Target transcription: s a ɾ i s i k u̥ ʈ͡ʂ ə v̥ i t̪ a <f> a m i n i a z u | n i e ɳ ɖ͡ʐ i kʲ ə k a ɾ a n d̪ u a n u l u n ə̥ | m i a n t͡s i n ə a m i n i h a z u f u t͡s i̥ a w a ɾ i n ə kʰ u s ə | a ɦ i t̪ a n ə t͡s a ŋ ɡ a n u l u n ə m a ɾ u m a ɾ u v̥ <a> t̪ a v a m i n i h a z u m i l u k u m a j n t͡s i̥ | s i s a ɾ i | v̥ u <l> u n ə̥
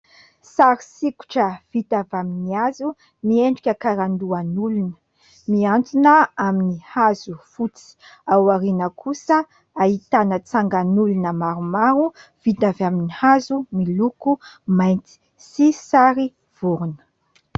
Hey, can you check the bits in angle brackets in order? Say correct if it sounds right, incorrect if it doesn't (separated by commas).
incorrect, incorrect, incorrect